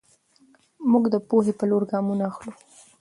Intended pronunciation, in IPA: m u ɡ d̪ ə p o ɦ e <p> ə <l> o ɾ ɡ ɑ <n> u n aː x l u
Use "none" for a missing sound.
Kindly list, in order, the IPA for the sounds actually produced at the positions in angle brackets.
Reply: p, l, m

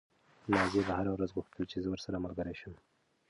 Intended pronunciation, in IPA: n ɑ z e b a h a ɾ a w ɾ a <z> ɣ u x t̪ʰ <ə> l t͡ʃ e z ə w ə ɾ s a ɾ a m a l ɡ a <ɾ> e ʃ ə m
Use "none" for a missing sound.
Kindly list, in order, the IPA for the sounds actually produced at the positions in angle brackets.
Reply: z, ə, ɾ

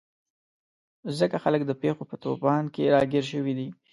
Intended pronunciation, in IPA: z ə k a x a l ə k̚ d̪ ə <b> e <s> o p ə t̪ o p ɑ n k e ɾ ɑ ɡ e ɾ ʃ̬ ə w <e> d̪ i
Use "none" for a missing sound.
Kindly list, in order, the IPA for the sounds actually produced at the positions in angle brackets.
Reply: p, x, i

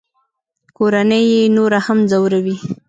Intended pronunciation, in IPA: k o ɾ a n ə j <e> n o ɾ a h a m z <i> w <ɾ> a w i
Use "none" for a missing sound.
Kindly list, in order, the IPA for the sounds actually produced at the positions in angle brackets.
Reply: e, a, ɾ

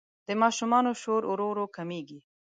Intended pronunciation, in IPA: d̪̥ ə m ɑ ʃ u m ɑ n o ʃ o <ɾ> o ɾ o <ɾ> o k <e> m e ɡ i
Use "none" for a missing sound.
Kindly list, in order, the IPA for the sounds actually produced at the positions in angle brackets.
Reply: ɾ, ɾ, a

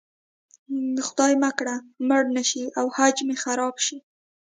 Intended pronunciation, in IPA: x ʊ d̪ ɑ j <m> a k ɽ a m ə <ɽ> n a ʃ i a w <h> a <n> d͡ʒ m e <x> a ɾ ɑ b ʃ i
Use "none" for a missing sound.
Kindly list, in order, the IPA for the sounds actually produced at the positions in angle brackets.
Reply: m, ɽ, h, none, x

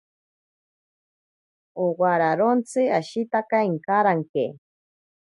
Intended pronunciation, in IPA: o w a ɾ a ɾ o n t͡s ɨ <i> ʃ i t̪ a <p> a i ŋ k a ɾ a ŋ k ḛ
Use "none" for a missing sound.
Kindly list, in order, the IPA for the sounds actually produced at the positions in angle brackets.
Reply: a, k

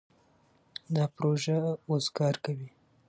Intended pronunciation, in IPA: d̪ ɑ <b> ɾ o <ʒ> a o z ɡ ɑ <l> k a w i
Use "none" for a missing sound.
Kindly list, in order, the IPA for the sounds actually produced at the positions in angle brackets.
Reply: p, ʒ, ɾ

